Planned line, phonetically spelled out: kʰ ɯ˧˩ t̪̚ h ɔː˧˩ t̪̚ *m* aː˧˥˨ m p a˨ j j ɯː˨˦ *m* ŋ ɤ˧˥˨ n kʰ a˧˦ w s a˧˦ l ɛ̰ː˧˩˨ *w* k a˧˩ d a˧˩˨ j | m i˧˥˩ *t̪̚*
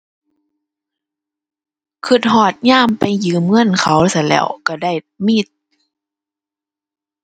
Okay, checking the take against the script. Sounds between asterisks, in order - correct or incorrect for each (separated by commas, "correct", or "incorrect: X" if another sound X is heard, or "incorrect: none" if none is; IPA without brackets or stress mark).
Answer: incorrect: ɲ, correct, correct, correct